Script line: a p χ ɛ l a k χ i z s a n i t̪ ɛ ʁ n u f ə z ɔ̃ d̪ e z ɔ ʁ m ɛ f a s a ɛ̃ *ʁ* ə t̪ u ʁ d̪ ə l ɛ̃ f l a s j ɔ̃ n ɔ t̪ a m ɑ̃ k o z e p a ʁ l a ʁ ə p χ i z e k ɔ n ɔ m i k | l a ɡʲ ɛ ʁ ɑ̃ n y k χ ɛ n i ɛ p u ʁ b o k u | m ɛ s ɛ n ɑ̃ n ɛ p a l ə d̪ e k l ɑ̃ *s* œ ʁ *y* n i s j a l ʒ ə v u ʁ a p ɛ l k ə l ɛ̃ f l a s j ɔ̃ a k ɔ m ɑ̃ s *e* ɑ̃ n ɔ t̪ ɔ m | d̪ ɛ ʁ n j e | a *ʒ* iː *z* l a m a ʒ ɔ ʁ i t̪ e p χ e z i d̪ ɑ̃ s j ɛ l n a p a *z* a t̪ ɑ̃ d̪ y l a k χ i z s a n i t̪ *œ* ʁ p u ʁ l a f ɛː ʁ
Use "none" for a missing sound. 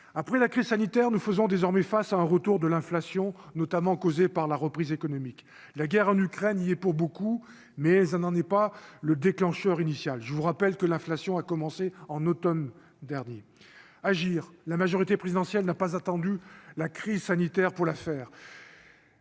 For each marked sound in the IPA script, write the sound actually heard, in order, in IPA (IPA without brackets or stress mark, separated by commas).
ʁ, ʃ, i, e, ʒ, ʁ, z, ɛ